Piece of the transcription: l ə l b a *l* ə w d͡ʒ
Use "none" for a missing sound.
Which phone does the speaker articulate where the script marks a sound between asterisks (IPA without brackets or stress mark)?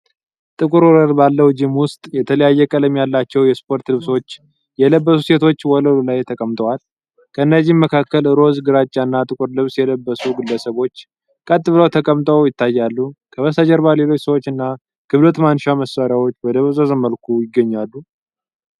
lː